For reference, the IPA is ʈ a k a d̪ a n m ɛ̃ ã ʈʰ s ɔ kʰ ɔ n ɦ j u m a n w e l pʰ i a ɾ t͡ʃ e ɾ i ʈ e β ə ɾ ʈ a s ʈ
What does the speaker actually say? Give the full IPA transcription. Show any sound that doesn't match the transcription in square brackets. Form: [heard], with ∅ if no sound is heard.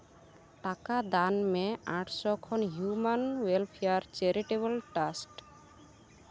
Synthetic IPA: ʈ a k a d̪ a n m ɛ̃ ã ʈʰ s ɔ kʰ ɔ n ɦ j u m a n w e l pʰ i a ɾ t͡ʃ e ɾ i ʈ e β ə [l] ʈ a s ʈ